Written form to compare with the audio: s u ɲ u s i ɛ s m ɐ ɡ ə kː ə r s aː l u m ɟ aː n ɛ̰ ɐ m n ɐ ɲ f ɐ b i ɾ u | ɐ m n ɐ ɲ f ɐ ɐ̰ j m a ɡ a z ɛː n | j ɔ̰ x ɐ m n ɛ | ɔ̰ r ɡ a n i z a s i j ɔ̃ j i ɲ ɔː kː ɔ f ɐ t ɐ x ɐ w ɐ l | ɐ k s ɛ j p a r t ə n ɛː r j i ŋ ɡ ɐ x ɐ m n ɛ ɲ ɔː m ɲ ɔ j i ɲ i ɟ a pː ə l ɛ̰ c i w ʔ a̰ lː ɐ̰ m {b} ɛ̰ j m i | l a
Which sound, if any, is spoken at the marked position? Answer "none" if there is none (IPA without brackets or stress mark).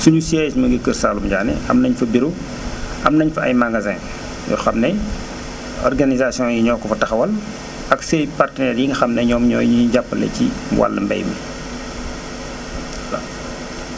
b